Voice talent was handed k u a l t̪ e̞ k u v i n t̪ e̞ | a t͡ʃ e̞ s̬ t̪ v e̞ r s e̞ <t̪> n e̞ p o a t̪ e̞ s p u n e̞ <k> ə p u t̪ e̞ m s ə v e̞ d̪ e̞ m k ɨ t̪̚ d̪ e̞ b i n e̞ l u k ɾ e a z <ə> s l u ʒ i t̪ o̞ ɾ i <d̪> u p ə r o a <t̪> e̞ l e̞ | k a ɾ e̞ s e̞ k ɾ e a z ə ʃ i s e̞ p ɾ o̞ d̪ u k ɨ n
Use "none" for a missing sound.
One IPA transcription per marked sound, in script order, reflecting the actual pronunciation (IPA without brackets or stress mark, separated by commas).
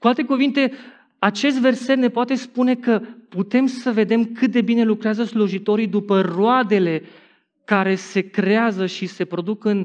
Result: t̪, k, ə, d̪, d̪